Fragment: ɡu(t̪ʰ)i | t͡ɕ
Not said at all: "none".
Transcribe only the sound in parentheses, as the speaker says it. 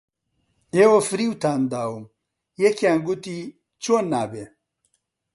t̪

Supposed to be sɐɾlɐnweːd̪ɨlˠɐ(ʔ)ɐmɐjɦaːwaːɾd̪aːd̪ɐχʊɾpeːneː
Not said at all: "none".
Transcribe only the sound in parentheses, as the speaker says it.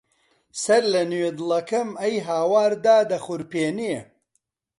k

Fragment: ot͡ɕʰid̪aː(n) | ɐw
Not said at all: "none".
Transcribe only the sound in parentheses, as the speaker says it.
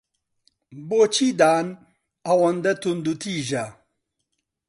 n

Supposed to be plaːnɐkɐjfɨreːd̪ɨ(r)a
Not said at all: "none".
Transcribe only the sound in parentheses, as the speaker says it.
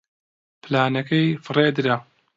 ɾ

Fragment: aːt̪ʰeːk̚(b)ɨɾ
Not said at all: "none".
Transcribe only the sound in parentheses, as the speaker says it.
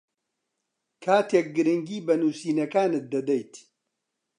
ɡ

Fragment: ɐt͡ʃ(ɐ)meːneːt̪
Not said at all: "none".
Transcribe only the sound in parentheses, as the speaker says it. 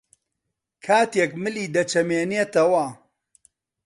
ɐ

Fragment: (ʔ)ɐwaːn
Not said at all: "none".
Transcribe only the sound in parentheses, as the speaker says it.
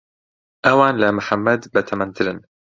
ʔ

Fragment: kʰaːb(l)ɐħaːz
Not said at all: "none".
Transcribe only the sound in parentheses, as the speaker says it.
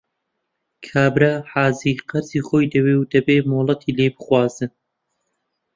ɾ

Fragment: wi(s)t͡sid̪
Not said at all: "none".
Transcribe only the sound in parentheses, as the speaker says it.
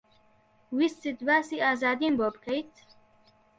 s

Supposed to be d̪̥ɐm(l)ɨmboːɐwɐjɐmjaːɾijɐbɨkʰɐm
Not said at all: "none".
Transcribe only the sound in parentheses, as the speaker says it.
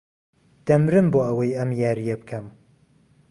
ɾ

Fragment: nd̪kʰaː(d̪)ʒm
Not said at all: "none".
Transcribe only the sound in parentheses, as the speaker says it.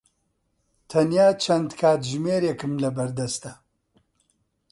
t̪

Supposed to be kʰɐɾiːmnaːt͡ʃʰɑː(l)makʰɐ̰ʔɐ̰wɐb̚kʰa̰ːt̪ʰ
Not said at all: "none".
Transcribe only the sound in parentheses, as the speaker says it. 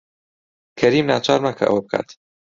ɾ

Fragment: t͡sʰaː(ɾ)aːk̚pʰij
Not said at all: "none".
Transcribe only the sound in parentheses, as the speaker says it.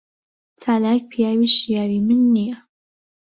l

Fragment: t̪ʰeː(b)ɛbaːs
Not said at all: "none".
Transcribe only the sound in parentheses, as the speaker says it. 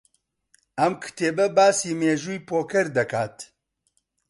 b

